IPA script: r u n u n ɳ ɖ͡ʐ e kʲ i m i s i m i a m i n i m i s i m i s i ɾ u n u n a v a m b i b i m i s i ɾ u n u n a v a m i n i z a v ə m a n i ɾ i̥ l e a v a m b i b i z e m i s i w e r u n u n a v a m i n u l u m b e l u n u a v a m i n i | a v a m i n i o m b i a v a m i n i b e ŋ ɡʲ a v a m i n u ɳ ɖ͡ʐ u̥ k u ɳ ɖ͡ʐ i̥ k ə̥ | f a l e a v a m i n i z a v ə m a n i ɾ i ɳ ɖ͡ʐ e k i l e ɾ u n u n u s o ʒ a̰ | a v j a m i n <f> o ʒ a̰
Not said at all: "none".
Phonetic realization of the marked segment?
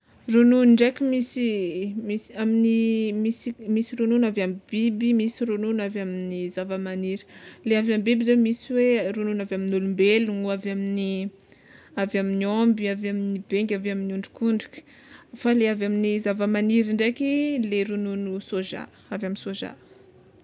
s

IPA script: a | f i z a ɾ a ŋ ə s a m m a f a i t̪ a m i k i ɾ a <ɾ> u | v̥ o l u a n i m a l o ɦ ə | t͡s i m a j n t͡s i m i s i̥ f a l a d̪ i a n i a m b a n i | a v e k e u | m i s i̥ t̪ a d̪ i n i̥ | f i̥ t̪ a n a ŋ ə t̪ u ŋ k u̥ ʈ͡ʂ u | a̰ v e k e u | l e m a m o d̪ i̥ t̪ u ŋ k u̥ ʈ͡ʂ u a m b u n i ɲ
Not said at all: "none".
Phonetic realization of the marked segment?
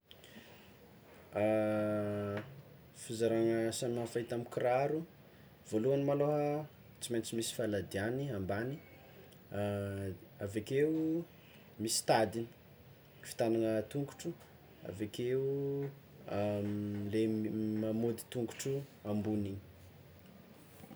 ɾ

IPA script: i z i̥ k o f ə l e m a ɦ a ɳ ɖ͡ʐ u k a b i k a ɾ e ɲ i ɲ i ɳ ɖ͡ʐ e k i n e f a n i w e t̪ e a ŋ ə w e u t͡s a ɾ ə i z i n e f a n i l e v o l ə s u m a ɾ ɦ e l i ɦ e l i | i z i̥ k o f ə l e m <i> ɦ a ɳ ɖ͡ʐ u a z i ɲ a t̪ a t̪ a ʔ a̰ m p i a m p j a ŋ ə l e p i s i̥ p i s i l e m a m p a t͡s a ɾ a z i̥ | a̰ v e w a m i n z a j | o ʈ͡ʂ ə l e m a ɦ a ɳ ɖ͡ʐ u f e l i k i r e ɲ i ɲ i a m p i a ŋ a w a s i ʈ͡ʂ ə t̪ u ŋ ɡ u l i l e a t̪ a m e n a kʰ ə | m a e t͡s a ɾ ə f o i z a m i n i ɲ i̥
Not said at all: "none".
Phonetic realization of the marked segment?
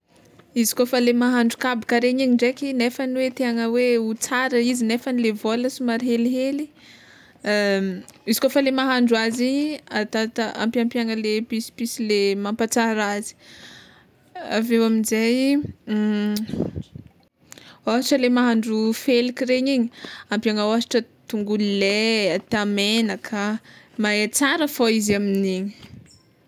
a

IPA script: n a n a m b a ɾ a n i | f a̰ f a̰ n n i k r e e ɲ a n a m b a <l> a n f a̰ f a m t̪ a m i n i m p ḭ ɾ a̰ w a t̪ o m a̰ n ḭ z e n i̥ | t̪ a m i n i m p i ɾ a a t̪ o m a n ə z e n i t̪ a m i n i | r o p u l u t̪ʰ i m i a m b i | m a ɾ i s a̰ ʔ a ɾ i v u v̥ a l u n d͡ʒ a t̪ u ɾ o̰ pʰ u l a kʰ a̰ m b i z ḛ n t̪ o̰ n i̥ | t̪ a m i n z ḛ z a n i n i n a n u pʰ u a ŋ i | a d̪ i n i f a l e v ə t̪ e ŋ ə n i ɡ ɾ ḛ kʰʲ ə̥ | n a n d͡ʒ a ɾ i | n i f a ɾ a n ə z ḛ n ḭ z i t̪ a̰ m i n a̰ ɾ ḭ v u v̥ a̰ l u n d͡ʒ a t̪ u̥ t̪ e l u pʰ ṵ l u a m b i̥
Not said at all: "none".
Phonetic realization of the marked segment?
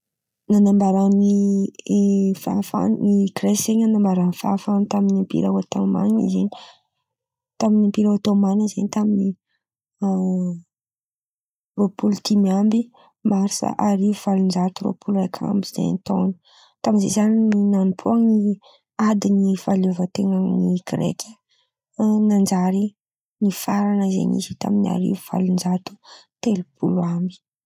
ɾ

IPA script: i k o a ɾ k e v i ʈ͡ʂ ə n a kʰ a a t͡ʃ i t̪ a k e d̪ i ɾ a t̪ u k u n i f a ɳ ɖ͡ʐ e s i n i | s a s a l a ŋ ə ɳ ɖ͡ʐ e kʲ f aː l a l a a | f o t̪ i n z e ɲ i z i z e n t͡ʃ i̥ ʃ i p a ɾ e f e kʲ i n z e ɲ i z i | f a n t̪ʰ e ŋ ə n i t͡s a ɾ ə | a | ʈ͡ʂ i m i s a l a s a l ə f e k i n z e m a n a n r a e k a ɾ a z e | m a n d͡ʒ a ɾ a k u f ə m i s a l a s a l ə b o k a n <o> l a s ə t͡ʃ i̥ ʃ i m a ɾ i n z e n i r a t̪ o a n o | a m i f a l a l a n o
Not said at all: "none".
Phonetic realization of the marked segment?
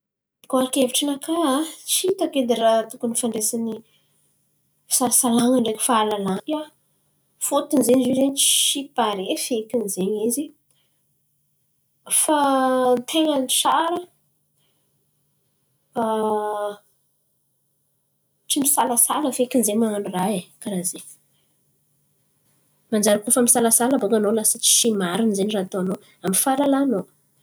o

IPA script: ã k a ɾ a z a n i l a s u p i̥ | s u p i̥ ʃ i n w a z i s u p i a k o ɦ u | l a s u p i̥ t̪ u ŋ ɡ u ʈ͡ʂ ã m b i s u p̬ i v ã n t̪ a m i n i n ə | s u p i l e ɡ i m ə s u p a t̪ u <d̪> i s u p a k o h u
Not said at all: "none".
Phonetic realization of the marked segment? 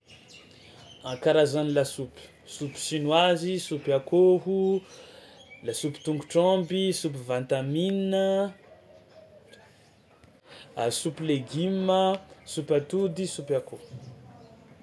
d̪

